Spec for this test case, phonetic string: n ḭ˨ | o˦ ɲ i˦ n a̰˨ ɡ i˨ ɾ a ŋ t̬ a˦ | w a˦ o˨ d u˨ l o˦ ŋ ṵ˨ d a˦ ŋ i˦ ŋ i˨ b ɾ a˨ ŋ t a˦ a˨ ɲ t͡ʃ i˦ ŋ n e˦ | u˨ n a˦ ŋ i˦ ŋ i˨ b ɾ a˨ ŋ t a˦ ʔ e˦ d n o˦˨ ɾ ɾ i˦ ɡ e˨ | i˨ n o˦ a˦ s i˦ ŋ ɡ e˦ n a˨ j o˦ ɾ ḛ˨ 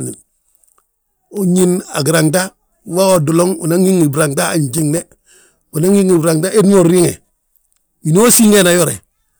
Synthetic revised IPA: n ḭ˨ | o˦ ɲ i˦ n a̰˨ ɡ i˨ ɾ a ŋ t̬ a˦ | w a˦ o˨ d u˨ l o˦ ŋ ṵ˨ n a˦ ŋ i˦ ŋ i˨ b ɾ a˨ ŋ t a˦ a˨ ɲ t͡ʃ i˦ ŋ n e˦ | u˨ n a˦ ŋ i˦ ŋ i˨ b ɾ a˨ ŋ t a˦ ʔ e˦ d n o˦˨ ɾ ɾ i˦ ŋ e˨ | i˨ n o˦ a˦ s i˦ ŋ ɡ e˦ n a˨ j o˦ ɾ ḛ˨

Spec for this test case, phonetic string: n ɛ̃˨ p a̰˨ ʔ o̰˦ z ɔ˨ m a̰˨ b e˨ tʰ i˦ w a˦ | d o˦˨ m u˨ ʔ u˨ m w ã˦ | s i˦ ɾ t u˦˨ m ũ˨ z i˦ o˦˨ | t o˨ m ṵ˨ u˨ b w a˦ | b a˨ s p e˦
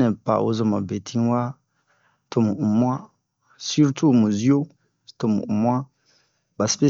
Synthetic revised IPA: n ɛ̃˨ p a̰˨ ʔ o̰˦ z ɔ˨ m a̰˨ b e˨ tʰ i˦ w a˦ | t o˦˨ m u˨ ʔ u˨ m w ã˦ | s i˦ ɾ t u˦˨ m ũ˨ z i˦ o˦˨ | t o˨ m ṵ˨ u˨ m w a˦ | b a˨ s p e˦

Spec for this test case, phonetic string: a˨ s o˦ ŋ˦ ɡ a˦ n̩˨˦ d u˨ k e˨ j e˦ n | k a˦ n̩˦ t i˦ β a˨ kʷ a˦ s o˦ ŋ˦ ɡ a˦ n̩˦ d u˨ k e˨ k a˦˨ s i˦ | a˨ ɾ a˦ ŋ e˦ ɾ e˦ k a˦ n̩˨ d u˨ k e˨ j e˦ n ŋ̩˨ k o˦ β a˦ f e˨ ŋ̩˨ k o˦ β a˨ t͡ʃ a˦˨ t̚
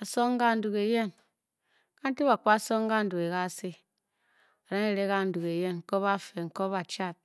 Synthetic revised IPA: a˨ s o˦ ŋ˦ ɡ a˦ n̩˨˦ d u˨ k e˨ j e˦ n | k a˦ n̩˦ t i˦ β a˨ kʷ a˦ s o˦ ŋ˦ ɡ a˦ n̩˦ d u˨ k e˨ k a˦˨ s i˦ | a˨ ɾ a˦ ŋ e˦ ɾ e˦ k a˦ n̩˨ d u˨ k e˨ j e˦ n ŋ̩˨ k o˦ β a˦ f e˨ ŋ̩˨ k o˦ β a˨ t͡ʃ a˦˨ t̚

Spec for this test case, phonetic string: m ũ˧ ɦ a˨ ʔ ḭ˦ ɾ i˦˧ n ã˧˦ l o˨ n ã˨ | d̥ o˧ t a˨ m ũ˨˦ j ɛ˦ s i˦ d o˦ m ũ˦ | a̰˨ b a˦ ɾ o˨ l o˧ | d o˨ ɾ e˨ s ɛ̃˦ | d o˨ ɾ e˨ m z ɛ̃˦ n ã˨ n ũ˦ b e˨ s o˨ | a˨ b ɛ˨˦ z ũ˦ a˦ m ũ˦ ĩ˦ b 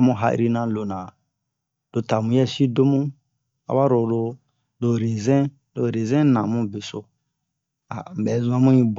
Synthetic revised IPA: m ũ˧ ɦ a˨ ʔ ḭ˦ ɾ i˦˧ n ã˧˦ l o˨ n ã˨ | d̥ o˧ t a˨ m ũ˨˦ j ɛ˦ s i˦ d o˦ m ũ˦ | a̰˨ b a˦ ɾ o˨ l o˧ | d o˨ ɾ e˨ z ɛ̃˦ | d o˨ ɾ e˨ z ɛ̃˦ n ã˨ m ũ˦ b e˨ s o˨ | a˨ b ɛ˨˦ z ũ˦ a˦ m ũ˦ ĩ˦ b

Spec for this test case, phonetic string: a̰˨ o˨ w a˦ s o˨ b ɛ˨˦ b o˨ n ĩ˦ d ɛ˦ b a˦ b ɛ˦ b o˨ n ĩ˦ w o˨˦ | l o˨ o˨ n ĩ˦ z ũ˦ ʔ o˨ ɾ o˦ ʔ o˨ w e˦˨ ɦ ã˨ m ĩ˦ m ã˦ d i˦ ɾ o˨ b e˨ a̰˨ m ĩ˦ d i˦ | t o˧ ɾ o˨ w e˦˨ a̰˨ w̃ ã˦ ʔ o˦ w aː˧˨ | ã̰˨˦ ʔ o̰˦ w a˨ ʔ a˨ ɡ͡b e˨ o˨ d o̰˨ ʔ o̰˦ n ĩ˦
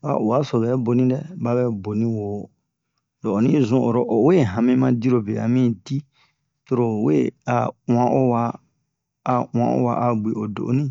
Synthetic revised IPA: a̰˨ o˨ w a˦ s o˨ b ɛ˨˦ b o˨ n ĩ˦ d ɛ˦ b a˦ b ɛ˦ b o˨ n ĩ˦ w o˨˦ | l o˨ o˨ n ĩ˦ z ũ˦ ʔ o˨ ɾ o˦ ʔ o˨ w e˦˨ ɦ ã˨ m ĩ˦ m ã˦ d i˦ ɾ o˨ b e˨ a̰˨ m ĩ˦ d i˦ | t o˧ ɾ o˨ w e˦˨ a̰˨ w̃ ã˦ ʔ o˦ w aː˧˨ | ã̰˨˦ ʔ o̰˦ w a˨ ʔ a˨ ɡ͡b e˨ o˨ d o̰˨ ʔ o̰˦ n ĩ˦

